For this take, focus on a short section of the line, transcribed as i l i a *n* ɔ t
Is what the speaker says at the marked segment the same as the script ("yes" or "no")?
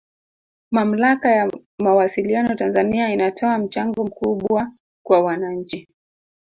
yes